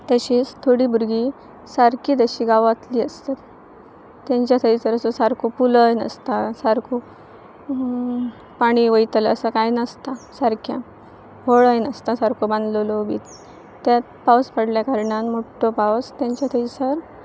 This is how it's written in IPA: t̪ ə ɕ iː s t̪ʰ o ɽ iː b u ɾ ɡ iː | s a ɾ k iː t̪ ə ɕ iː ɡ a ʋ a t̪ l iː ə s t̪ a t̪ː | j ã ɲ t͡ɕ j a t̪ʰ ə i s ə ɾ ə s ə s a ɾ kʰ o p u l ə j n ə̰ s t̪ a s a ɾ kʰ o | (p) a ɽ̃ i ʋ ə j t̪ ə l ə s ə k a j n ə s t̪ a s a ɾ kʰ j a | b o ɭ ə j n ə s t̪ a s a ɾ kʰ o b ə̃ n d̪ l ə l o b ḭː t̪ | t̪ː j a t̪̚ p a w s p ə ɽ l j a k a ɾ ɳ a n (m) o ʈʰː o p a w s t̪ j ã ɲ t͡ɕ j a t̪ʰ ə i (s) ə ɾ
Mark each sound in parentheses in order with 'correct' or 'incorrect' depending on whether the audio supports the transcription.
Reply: correct, correct, correct

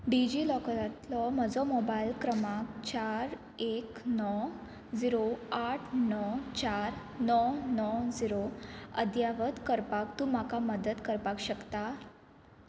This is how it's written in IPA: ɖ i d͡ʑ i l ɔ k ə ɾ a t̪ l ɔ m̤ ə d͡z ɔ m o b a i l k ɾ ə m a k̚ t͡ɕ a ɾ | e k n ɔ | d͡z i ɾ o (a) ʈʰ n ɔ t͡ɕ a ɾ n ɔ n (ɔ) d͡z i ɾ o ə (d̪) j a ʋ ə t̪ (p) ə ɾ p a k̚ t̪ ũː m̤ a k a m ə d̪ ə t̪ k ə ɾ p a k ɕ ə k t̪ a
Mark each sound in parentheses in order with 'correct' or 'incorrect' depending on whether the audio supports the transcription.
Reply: correct, correct, correct, incorrect

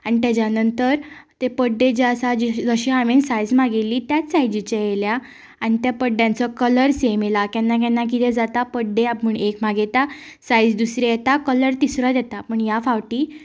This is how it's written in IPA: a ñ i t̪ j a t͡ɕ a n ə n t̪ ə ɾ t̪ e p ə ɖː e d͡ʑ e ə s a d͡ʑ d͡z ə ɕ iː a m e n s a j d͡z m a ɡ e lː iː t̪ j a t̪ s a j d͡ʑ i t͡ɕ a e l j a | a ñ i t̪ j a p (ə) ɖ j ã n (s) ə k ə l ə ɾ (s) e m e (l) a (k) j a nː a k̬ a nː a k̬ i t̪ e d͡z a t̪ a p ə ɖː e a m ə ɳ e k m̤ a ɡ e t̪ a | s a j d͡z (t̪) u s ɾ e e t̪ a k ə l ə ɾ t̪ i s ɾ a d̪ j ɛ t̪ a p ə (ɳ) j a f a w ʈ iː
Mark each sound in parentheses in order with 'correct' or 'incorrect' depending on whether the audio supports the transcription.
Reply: correct, incorrect, correct, correct, correct, incorrect, correct

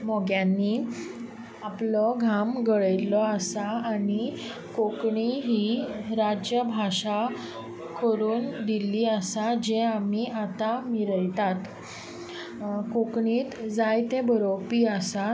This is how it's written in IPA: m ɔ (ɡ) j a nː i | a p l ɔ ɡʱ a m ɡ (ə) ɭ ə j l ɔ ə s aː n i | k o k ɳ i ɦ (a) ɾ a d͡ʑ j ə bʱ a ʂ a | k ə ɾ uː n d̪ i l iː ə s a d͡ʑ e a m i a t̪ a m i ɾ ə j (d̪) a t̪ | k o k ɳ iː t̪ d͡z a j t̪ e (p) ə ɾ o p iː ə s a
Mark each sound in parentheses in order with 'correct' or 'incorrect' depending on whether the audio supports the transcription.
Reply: correct, correct, incorrect, incorrect, incorrect

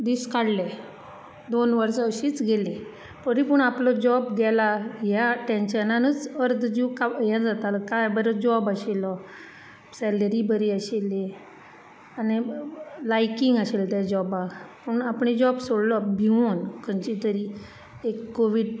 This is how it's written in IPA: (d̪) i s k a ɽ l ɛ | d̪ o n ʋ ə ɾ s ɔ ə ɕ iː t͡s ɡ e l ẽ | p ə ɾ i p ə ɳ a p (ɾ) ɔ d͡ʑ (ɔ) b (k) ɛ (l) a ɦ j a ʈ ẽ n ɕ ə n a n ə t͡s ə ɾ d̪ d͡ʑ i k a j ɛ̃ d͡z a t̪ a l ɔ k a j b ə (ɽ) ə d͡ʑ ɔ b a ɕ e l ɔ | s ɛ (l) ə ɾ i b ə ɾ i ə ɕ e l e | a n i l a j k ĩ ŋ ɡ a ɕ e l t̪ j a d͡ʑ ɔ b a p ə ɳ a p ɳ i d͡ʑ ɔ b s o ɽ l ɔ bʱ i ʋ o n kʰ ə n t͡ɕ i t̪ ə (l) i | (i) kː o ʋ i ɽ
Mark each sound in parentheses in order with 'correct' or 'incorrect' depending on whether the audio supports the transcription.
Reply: correct, incorrect, correct, incorrect, correct, incorrect, correct, incorrect, incorrect

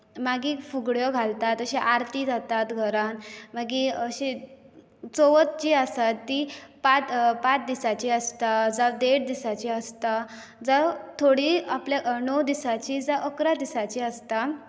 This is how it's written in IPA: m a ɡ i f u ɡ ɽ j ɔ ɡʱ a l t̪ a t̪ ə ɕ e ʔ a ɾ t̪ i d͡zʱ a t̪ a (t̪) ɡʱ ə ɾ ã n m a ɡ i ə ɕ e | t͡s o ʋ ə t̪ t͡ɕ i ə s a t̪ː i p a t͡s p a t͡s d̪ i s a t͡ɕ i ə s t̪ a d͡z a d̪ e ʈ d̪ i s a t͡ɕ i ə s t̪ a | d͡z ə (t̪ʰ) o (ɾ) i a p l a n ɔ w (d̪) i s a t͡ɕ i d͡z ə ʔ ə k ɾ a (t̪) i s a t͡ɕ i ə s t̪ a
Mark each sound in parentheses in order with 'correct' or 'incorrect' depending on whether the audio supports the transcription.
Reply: correct, correct, incorrect, correct, incorrect

